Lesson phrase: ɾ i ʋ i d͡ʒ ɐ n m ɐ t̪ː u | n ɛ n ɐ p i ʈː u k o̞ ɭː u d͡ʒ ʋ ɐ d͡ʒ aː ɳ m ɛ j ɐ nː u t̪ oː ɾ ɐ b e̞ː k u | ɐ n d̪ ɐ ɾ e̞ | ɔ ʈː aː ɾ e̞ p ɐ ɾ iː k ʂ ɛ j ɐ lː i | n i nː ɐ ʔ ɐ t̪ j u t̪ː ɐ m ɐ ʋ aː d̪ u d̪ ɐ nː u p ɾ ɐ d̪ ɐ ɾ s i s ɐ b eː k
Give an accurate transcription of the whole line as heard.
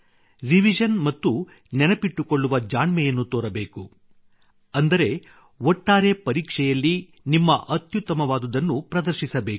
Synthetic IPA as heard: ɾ i ʋ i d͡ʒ ɐ n m ɐ t̪ː u | n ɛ n ɐ p i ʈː u k o̞ ɭː u ʋ ɐ d͡ʒ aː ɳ m ɛ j ɐ nː u t̪ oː ɾ ɐ b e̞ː k u | ɐ n d̪ ɐ ɾ e̞ | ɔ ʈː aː ɾ e̞ p ɐ ɾ iː k ʂ ɛ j ɐ lː i | n i mː ɐ ʔ ɐ t̪ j u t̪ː ɐ m ɐ ʋ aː d̪ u d̪ ɐ nː u p ɾ ɐ d̪ ɐ ɾ ʃ i s ɐ b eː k